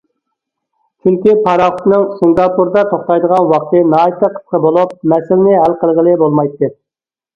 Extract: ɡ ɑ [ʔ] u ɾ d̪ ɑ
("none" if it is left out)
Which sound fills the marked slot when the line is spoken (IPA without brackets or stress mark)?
p